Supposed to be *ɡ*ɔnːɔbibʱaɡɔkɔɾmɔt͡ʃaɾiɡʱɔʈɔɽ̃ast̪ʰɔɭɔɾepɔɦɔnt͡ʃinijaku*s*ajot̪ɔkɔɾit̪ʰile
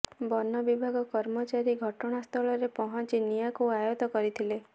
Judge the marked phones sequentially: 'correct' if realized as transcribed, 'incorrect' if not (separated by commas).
incorrect, incorrect